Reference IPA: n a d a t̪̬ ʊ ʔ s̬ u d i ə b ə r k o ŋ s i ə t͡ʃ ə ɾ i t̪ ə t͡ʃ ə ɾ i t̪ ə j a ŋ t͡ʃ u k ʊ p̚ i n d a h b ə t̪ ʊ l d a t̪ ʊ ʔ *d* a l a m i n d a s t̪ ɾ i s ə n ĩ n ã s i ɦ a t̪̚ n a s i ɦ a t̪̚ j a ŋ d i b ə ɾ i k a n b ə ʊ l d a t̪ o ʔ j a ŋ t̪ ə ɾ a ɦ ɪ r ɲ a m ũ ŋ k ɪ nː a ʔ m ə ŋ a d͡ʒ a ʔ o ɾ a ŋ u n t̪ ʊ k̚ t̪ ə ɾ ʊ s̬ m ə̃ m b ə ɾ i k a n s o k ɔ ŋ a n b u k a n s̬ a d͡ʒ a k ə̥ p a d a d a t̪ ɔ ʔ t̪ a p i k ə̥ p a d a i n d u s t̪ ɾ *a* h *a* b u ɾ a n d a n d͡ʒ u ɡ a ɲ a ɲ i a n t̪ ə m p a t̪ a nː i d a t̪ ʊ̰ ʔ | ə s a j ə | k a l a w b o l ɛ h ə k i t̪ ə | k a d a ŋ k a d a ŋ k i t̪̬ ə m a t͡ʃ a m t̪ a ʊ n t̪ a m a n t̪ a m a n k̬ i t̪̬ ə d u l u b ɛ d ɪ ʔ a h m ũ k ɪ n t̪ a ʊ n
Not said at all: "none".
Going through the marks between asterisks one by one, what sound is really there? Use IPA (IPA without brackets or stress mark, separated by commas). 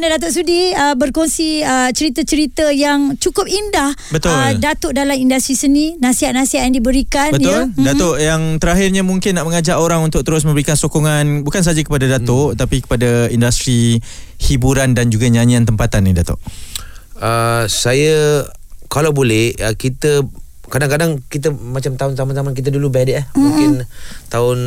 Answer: d, i, i